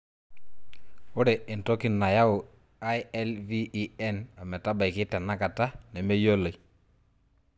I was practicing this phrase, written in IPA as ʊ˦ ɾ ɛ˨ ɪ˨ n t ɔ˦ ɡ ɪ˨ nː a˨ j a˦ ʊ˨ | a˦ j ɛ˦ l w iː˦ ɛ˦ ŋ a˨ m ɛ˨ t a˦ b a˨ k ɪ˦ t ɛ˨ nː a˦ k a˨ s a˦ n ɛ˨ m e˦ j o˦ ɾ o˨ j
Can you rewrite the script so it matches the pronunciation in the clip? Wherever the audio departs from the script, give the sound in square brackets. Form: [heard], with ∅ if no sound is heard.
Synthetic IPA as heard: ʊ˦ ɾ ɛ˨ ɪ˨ n t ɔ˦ [k] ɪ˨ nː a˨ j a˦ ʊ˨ | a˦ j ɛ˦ l [v] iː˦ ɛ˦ [n] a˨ m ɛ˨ t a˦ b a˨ k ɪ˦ t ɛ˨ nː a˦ k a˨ [t] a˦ n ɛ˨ m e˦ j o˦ [l] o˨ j